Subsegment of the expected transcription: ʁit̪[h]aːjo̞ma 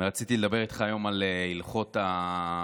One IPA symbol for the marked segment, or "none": χ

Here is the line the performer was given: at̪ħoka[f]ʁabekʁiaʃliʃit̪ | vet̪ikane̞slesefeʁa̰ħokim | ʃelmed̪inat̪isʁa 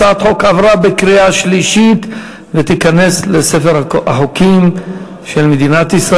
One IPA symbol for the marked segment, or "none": v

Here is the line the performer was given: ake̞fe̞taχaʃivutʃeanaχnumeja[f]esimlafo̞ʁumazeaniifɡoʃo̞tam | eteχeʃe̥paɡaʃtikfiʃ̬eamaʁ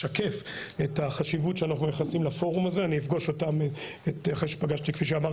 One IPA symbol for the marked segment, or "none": χ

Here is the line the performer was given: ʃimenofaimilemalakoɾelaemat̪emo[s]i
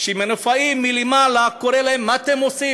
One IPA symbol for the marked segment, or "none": s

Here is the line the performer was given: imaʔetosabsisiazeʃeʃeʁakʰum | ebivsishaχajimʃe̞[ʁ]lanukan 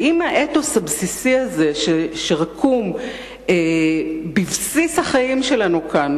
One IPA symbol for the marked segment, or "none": none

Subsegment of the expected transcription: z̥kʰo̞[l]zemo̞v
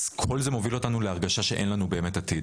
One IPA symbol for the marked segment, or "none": l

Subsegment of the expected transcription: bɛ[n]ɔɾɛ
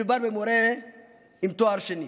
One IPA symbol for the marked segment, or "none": m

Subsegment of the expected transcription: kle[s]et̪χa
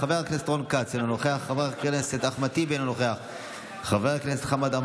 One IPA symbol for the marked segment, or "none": s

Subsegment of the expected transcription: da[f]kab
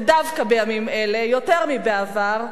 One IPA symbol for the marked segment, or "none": v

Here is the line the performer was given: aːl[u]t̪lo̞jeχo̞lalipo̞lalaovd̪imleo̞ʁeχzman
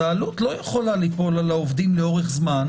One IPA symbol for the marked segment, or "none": u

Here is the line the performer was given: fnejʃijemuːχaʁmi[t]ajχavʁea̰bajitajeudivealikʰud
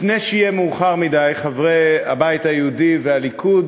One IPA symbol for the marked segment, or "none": d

